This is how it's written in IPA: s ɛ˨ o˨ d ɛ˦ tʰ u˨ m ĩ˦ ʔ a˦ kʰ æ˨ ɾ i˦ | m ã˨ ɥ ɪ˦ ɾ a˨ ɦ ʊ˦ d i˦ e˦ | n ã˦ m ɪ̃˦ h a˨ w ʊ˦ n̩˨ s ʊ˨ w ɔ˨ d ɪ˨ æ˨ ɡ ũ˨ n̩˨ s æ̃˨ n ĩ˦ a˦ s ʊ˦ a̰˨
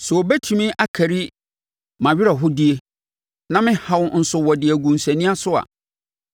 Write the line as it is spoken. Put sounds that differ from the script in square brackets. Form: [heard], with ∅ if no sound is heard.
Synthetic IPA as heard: s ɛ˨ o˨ [b] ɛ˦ tʰ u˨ m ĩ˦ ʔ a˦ kʰ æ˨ ɾ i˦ | m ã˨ ɥ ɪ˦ ɾ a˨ ɦ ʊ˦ d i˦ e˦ | n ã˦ m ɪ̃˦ h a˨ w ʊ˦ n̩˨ s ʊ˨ w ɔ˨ d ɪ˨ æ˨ ɡ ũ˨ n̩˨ s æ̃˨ n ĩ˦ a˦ s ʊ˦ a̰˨